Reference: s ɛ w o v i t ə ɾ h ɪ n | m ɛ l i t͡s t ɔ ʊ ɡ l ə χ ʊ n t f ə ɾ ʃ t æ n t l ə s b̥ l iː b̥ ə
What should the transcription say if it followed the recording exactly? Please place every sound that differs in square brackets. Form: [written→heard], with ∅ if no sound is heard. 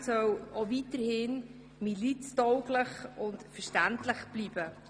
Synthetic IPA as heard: s [ɛ→œ] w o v i t ə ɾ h ɪ n | m [ɛ→i] l i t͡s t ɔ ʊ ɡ l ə χ ʊ n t f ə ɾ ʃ t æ n t l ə [s→χ] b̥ l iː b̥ ə